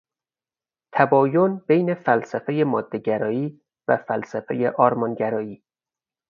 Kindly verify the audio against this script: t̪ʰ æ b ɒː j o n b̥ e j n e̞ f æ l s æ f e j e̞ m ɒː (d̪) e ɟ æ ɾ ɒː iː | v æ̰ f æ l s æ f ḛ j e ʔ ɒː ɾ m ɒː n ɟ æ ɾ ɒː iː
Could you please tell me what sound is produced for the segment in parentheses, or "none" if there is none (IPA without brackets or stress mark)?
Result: d̪ː